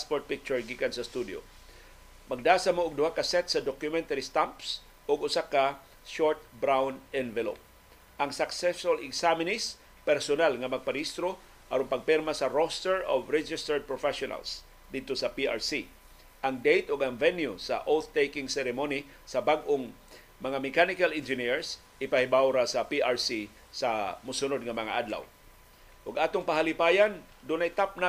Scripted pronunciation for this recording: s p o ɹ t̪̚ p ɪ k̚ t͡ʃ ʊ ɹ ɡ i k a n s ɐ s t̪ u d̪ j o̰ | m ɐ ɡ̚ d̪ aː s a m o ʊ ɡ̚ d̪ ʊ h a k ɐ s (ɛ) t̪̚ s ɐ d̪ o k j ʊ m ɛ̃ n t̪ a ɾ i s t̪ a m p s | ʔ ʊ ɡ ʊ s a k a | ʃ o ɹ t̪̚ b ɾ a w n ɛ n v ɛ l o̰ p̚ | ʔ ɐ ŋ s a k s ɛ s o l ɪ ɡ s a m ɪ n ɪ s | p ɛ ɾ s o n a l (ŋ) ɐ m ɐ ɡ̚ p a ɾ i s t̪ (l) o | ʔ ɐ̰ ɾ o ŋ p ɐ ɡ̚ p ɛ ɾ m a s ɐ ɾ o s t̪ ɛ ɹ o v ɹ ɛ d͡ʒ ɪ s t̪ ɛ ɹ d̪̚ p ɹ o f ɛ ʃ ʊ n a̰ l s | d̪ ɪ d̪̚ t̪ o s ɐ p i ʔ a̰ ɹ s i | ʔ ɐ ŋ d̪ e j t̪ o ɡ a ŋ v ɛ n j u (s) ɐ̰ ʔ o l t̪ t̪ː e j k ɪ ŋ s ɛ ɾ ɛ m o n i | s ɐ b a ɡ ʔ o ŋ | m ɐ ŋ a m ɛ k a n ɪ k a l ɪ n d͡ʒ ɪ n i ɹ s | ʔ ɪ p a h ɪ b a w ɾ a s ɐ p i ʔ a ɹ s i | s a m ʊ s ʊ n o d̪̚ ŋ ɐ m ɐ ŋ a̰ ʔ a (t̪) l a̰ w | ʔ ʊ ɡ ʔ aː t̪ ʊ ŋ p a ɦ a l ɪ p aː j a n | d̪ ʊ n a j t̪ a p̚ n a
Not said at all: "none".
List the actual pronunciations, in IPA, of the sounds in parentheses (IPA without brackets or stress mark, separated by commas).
ɛ, ŋ, ɾ, s, d̪